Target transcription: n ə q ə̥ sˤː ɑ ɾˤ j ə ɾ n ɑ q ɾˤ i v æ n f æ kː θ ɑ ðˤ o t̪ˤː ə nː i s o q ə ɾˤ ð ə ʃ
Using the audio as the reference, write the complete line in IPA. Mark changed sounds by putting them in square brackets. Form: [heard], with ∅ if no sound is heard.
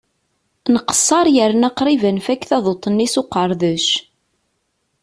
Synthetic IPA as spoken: n ə q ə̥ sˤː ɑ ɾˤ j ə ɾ n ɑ q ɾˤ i v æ n f æ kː θ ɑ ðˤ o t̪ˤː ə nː i s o q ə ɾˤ ð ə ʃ